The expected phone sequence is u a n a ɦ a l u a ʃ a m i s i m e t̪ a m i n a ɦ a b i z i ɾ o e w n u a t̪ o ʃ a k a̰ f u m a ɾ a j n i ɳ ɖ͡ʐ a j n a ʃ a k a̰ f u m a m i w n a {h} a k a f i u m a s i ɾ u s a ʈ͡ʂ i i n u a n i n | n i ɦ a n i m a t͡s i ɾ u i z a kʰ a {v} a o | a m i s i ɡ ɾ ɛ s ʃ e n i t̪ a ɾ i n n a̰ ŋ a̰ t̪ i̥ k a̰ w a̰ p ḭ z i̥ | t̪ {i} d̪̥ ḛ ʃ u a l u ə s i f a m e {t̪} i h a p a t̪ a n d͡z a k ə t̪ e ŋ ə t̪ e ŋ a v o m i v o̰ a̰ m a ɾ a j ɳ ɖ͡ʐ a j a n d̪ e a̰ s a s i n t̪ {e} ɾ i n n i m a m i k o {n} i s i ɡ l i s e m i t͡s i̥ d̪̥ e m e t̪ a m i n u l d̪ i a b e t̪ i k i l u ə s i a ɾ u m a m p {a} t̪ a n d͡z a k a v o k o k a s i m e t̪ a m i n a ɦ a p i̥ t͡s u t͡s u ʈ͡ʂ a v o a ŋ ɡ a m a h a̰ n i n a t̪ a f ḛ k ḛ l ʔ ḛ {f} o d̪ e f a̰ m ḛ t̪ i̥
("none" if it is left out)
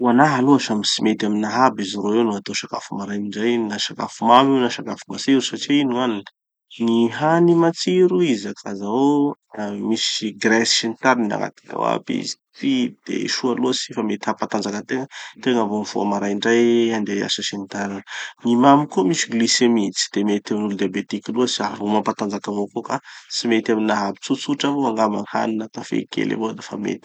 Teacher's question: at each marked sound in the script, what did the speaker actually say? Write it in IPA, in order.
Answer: ʃ, z, i, t̪, a, m, a, v

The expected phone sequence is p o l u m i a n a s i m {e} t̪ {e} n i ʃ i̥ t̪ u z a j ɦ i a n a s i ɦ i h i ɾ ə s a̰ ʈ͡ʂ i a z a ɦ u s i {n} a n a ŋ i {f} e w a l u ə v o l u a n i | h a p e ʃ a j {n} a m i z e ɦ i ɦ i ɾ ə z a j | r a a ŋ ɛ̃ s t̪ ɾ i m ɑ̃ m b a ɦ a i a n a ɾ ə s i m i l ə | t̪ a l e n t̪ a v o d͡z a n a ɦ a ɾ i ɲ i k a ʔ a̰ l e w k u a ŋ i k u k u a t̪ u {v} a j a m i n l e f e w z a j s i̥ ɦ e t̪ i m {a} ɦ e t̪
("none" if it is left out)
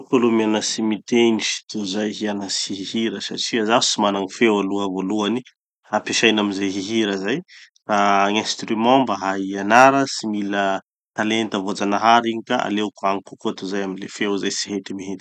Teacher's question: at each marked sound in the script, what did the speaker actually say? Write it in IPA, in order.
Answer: i, e, m, f, n, z, i

